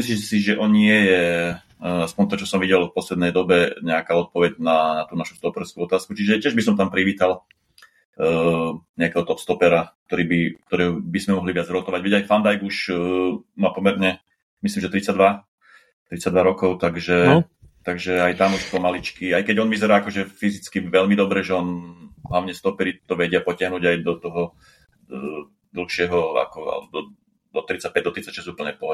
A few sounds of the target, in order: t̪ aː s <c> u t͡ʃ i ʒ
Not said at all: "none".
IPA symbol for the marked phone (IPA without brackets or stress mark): k